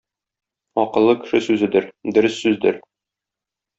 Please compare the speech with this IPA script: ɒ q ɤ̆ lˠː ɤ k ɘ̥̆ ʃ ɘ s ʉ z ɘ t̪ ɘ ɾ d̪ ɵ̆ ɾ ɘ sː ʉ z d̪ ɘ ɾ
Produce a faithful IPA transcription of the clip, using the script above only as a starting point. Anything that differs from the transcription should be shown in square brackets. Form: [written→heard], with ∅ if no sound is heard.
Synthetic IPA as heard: ɒ q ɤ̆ lˠː ɤ k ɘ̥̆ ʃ ɘ s ʉ z ɘ [t̪→d̪] ɘ ɾ d̪ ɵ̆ ɾ ɘ sː ʉ z d̪ ɘ ɾ